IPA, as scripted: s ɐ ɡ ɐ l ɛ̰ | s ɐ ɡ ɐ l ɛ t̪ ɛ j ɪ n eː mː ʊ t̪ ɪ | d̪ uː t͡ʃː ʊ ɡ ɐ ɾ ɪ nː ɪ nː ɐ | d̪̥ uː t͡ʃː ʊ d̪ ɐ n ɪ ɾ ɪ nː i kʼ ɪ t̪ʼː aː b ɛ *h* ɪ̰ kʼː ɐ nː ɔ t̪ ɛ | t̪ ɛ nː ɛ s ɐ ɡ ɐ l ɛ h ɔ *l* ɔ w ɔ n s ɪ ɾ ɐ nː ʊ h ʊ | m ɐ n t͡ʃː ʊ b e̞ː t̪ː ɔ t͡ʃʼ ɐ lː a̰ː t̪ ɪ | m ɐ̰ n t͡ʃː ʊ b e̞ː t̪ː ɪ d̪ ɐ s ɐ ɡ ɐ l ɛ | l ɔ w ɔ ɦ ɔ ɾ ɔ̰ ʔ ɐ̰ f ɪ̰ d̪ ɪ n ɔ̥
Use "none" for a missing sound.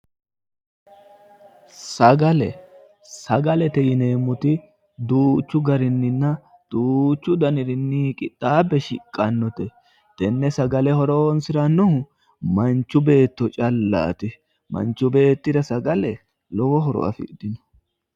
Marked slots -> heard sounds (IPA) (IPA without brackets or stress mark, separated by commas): ʃ, ɾ